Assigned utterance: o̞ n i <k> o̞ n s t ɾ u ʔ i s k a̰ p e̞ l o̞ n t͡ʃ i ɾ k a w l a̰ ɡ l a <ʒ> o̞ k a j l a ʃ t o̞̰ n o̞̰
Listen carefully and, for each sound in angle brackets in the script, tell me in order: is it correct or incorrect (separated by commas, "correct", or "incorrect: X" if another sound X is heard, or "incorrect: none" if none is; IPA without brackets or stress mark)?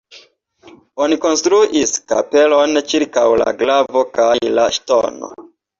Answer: correct, incorrect: v